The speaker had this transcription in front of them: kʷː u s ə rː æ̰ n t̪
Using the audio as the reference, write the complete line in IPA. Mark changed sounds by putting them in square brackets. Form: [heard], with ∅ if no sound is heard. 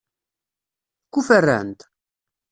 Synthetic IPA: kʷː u [f] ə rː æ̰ n t̪